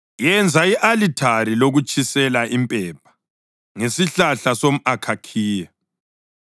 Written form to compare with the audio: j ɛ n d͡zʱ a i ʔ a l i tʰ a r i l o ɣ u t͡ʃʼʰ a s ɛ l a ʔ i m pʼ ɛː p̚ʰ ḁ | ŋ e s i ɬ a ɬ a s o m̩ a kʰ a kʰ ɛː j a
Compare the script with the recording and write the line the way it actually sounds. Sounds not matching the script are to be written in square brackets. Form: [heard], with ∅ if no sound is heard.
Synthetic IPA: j ɛ n d͡zʱ a i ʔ a l i tʰ a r i l o ɣ u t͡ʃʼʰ [i] s ɛ l a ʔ i m pʼ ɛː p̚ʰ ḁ | ŋ e s i ɬ a ɬ a s o m̩ a kʰ a kʰ [iː] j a